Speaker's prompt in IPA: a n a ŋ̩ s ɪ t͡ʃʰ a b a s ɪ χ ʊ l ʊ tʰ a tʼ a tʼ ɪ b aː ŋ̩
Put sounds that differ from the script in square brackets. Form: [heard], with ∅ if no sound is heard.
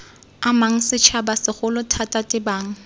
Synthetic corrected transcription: a [m] a ŋ̩ s ɪ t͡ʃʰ a b a s ɪ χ ʊ l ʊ tʰ a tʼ a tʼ ɪ b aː ŋ̩